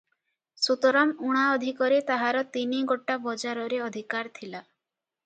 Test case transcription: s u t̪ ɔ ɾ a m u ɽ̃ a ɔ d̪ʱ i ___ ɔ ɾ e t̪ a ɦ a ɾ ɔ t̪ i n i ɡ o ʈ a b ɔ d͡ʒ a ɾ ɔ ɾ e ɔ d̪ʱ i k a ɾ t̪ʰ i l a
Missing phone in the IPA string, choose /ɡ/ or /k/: k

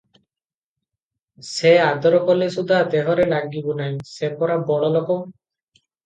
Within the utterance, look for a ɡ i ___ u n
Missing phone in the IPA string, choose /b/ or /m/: b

